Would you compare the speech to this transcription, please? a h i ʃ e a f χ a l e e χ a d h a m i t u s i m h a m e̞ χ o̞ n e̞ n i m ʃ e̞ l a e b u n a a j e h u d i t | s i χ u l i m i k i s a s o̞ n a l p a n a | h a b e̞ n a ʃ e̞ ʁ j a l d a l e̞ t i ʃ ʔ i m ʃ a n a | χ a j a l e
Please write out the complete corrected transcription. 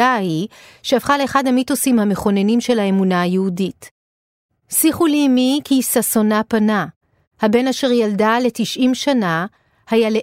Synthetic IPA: a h i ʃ e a f χ a l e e χ a d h a m i t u s i m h a m e̞ χ o̞ n e̞ n i m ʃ e̞ l a e m u n a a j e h u d i t | s i χ u l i m i k i s a s o̞ n a p a n a | h a b e̞ n a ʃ e̞ ʁ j a l d a l e̞ t i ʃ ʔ i m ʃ a n a | h a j a l e